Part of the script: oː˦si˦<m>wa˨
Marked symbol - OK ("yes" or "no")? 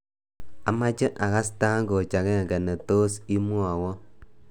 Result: yes